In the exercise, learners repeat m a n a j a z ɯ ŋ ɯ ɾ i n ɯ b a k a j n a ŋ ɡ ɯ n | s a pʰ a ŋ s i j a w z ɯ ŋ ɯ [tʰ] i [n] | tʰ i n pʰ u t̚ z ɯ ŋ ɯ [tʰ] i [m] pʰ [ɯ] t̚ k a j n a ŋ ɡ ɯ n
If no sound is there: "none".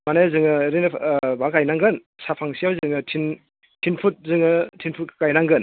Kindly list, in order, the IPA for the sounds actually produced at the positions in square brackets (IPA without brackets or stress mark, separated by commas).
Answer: tʰ, n, tʰ, n, u